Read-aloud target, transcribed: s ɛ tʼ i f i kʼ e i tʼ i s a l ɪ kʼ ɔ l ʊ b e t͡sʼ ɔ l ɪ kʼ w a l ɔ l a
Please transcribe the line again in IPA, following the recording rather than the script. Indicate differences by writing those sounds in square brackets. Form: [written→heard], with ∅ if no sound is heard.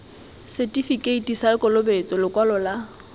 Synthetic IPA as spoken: s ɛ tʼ i f i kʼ e i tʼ i s a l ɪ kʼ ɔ l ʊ b e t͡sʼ ɔ l ɪ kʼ w a l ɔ l a